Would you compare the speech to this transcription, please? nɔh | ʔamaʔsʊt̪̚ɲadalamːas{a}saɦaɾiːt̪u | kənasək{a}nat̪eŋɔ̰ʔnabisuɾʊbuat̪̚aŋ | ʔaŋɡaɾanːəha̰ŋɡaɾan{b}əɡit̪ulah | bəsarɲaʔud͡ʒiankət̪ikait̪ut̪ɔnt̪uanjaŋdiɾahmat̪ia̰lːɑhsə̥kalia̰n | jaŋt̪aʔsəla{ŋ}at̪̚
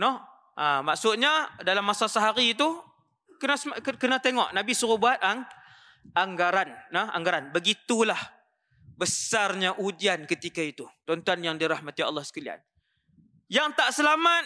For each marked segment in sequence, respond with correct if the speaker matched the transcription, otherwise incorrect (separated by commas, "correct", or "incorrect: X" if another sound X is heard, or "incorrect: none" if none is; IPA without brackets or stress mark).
correct, incorrect: ə, correct, incorrect: m